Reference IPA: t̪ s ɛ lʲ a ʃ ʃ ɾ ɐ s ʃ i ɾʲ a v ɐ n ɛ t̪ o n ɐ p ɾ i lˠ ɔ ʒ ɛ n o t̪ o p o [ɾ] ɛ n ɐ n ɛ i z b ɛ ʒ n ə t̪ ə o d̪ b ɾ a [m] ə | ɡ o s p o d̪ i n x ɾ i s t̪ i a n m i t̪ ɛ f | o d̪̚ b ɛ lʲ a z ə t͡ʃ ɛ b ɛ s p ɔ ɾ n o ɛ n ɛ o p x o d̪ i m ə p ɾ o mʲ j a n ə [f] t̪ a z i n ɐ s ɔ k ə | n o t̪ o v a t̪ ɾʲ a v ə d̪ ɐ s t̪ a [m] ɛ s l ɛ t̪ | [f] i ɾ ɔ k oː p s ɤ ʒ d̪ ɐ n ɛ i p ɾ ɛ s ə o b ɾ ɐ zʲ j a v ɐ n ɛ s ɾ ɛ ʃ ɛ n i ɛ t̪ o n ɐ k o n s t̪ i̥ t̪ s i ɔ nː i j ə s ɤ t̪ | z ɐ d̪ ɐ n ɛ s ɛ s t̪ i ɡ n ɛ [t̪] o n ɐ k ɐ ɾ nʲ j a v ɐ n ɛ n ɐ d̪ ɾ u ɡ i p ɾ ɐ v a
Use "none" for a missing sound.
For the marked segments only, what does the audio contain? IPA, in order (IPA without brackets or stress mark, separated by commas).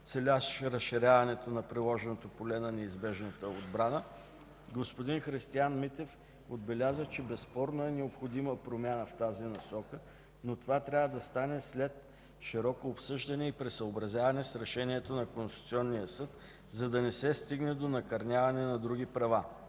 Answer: l, n, f, n, ʃ, d̪